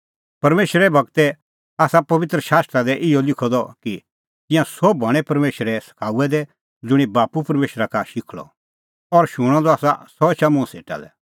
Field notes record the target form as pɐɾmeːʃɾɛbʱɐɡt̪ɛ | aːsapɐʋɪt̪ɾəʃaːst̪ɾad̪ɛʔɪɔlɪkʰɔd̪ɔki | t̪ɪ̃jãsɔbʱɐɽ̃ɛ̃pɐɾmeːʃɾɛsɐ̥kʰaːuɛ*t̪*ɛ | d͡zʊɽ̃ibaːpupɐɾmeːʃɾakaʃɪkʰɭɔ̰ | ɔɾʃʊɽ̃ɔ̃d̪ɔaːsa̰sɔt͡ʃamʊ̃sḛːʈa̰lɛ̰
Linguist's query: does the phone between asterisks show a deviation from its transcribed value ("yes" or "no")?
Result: yes